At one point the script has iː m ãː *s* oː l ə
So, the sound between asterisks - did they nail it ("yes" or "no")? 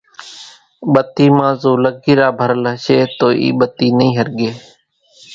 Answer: no